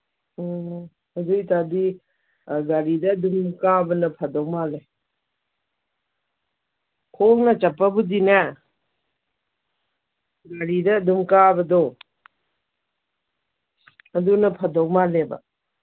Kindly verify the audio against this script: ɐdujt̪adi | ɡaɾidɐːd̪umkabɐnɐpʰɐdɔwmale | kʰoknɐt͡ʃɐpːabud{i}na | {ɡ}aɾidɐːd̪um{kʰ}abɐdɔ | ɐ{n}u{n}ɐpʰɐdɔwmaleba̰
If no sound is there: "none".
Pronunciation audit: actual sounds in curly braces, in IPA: i, ɡ, k, d, n

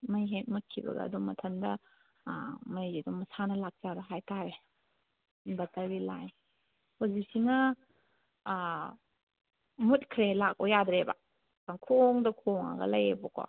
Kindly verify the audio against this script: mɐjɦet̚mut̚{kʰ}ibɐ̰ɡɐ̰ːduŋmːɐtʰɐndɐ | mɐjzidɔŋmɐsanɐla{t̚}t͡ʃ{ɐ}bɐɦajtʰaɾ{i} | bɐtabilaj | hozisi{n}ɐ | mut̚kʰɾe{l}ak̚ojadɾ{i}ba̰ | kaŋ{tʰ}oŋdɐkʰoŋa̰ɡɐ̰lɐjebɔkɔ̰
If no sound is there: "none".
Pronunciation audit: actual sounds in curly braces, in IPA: kʰ, k̚, a, e, ŋ, l, e, kʰ

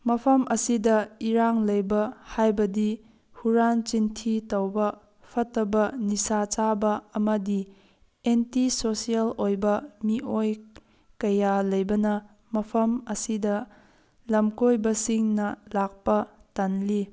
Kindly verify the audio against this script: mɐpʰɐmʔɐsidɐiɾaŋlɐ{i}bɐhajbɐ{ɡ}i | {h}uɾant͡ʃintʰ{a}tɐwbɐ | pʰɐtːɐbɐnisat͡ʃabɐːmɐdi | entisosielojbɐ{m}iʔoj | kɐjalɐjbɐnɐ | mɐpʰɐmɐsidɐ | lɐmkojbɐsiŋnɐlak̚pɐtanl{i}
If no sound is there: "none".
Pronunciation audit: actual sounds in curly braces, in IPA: j, d, h, i, m, i

